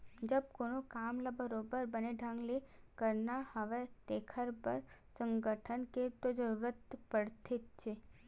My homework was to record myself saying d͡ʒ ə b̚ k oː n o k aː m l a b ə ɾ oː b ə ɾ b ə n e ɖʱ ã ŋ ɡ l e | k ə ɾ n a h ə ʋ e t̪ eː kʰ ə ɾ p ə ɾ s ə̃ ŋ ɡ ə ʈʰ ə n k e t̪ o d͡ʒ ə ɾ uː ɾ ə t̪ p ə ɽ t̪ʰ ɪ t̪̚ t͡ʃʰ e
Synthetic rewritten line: d͡ʒ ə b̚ k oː n o k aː m l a b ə ɾ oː b ə ɾ b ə n e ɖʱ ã ŋ ɡ l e | k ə ɾ n a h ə ʋ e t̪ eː kʰ ə ɾ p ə ɾ s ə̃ ŋ ɡ ə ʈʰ ə n k e t̪ o d͡ʒ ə ɾ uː ɾ ə t̪ p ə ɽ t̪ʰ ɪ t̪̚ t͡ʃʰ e